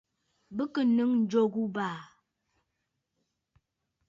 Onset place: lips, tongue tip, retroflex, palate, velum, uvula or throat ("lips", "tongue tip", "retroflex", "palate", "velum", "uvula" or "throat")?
lips